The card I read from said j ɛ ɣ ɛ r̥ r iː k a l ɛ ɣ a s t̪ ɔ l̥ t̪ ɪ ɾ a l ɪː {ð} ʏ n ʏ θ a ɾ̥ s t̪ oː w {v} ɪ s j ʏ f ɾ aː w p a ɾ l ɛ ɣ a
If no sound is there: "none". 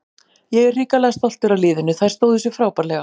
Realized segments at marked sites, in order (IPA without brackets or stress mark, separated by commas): ð, ð